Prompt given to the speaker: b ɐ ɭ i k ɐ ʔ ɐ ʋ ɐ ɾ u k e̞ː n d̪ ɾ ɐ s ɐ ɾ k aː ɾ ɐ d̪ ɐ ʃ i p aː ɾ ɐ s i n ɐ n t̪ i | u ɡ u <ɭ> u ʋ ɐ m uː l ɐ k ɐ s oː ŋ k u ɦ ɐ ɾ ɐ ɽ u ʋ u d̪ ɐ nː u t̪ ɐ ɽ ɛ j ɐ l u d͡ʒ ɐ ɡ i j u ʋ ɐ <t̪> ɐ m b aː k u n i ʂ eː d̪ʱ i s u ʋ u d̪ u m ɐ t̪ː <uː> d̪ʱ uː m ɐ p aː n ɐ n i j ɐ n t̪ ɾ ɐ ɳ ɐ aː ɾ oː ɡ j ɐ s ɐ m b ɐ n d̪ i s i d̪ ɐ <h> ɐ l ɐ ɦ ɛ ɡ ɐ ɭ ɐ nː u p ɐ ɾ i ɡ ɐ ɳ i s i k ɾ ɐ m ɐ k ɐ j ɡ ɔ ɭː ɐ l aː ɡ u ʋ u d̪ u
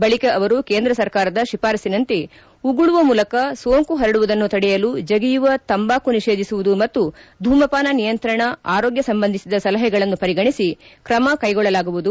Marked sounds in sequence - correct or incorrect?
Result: correct, correct, incorrect: u, incorrect: s

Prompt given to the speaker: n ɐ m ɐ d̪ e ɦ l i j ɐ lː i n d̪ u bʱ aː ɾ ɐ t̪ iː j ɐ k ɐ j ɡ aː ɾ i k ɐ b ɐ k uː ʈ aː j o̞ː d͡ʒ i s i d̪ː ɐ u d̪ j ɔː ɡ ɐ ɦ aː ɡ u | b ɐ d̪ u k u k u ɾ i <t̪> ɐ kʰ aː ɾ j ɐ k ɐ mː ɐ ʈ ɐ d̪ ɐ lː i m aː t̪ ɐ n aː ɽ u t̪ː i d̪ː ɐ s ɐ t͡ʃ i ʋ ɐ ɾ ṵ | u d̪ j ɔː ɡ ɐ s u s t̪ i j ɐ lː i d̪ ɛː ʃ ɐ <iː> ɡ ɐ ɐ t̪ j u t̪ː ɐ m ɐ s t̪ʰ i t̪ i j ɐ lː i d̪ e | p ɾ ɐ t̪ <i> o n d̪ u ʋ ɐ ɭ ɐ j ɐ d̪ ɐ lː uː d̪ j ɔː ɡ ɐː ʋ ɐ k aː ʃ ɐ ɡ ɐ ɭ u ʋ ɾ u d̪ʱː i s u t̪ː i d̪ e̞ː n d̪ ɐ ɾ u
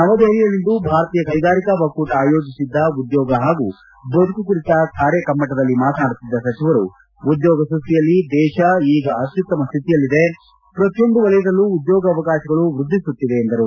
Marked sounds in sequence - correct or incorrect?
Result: correct, correct, incorrect: j

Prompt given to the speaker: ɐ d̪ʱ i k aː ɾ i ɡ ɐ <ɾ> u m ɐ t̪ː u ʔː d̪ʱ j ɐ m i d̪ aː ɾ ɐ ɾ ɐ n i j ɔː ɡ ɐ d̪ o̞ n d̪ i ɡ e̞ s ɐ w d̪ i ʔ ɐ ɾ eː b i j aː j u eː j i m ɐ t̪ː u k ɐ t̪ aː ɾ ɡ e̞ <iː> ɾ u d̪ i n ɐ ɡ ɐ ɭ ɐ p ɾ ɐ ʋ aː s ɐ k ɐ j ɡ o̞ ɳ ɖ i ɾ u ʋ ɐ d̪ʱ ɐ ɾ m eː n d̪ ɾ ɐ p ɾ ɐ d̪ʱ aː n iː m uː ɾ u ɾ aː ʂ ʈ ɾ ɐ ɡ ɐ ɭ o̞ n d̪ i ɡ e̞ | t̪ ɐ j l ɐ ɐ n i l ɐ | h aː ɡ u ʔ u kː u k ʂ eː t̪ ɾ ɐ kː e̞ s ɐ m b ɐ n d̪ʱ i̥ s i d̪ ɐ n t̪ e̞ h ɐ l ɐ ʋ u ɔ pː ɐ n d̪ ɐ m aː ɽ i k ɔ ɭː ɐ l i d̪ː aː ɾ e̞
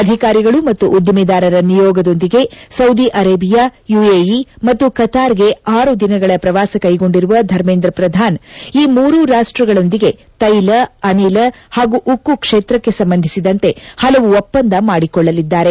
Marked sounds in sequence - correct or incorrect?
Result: incorrect: ɭ, incorrect: aː

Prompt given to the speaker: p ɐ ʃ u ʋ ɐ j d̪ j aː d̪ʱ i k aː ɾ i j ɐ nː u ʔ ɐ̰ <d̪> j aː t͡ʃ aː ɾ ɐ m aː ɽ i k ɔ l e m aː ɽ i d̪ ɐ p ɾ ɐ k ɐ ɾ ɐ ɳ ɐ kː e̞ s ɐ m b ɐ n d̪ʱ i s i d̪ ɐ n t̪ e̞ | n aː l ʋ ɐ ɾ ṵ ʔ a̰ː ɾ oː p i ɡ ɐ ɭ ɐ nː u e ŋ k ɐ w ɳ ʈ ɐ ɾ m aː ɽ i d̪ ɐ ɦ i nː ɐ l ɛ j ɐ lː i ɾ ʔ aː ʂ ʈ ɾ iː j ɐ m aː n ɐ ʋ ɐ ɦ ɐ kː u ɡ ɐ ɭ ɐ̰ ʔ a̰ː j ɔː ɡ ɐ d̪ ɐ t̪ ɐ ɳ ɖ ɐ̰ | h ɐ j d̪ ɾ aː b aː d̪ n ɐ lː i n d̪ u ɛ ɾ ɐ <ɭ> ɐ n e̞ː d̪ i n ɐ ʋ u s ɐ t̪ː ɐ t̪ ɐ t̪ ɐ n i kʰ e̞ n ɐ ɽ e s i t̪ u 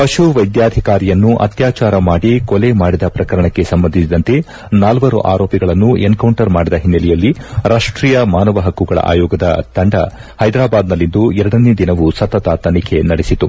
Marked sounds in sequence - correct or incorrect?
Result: incorrect: t̪, incorrect: ɽ

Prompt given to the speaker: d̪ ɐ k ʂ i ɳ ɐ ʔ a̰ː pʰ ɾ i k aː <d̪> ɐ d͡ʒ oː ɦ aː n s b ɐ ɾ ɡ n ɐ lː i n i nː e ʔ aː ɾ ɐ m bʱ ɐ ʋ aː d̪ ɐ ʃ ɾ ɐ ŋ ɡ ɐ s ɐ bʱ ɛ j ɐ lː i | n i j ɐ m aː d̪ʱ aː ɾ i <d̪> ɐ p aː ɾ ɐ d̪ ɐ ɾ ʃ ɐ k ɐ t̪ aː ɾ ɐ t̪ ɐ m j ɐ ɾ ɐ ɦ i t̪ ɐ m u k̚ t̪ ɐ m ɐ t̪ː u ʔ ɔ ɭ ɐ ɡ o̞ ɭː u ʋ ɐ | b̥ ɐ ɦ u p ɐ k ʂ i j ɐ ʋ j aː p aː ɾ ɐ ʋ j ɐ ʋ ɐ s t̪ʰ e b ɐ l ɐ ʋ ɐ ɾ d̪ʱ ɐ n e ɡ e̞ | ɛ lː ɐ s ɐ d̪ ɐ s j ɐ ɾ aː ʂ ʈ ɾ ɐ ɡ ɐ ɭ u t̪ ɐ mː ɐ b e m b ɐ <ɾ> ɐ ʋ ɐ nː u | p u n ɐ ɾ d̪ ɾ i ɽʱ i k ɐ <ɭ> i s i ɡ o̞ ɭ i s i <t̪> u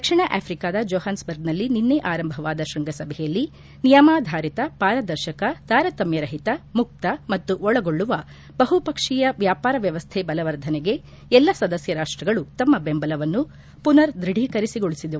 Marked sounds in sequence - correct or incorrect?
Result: correct, incorrect: t̪, incorrect: l, incorrect: ɾ, incorrect: d̪

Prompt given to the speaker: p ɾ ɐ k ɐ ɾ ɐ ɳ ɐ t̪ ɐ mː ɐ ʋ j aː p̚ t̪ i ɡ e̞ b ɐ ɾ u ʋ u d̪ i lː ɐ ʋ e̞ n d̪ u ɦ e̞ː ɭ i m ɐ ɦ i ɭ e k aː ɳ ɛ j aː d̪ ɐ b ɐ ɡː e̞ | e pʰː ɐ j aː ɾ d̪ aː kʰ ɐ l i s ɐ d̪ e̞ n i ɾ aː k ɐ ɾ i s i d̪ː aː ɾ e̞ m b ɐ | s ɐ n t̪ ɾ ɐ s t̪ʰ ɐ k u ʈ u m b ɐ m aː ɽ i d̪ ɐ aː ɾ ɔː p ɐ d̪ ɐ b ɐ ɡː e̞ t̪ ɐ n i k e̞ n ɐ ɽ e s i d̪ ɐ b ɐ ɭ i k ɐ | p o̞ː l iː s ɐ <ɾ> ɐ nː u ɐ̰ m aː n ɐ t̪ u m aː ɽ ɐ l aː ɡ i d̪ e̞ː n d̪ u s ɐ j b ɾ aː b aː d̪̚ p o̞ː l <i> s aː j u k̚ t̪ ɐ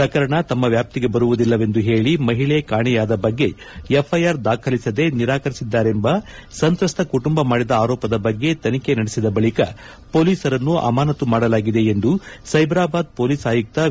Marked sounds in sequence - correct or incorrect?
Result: correct, incorrect: iː

